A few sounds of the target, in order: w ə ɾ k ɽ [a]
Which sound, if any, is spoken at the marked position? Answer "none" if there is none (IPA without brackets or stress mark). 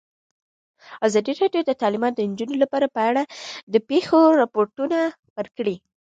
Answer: i